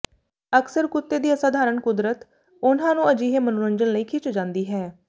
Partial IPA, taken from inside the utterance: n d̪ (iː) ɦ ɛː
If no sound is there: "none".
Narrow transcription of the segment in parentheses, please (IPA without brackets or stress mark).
iː